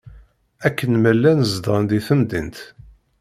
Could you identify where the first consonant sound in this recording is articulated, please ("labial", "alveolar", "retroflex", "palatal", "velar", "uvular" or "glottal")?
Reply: velar